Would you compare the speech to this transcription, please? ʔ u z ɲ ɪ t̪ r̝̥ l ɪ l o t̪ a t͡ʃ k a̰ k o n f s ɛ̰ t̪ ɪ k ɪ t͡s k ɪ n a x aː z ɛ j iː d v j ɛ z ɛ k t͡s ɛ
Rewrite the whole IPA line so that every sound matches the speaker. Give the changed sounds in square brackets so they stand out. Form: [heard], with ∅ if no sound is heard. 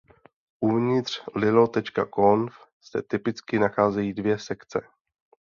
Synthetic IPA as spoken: ʔ u [v] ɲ ɪ t̪ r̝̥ l ɪ l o t̪ [ɛ] t͡ʃ k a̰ k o n f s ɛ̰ t̪ ɪ [p] ɪ t͡s k ɪ n a x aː z ɛ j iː d v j ɛ [s] ɛ k t͡s ɛ